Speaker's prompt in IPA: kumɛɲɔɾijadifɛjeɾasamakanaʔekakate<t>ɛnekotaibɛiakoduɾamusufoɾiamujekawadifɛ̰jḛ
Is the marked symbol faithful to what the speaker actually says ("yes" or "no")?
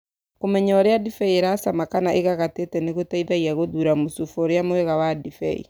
yes